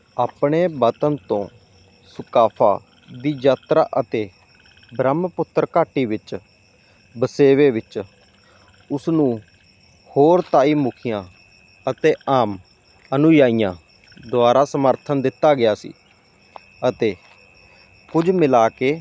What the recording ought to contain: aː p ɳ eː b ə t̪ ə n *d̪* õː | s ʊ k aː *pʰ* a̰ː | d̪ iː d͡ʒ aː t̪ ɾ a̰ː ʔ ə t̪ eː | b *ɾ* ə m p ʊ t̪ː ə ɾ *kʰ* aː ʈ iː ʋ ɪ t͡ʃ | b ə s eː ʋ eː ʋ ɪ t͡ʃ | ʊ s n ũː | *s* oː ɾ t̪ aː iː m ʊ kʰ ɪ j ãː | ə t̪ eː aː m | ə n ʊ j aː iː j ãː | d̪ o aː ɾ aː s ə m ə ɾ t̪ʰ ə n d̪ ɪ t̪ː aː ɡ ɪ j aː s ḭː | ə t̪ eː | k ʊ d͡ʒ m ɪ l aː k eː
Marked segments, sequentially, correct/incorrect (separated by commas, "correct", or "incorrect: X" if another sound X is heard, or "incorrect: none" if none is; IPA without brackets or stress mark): incorrect: t̪, correct, correct, incorrect: k, incorrect: h